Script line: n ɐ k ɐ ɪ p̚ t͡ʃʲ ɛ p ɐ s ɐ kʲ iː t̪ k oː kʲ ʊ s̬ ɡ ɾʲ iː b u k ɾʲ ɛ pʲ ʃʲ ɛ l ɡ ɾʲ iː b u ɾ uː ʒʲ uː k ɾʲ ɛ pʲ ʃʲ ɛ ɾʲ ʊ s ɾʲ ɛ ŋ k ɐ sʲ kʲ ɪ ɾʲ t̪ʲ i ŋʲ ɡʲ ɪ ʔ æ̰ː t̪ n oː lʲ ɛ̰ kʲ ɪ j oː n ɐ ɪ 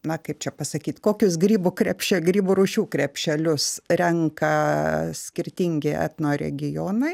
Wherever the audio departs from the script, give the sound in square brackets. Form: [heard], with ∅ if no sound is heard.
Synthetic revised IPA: n ɐ k ɐ ɪ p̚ t͡ʃʲ ɛ p ɐ s ɐ kʲ iː t̪ k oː kʲ ʊ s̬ ɡ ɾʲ iː b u k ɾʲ ɛ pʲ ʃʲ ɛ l ɡ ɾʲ iː b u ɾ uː [ʃʲ] uː k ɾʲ ɛ pʲ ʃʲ ɛ [lʲ] ʊ s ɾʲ ɛ ŋ k ɐ sʲ kʲ ɪ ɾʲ t̪ʲ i ŋʲ ɡʲ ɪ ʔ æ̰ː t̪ n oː [ɾʲ] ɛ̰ [ɡʲ] ɪ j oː n ɐ ɪ